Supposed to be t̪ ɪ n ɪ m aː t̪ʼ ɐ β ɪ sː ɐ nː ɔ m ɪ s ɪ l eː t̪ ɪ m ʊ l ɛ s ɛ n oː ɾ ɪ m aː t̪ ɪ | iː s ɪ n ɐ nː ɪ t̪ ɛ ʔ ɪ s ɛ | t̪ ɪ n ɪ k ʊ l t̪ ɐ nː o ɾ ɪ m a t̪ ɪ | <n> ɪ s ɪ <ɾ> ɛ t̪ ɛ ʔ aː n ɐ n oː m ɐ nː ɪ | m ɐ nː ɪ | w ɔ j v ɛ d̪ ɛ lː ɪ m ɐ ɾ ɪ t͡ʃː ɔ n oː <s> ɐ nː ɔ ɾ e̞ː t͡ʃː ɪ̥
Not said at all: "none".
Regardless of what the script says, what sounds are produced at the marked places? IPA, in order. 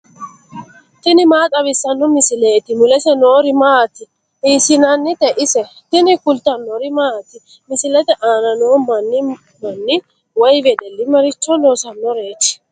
m, l, s

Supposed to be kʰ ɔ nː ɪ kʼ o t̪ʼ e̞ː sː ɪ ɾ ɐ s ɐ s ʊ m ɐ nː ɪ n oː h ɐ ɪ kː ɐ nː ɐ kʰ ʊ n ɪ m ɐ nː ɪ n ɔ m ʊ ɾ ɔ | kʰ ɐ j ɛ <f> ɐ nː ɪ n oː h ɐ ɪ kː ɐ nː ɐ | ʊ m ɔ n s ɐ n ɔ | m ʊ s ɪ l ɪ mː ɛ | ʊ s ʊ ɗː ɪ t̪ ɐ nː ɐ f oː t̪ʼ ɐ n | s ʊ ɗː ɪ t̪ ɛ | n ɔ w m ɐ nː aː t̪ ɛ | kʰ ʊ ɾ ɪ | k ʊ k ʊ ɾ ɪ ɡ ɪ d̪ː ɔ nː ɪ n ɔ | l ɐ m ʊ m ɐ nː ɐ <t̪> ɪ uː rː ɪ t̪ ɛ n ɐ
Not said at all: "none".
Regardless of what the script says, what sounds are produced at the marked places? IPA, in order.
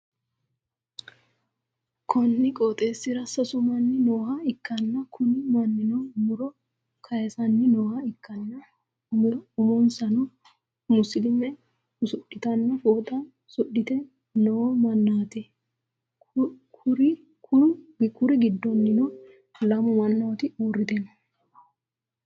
s, t̪

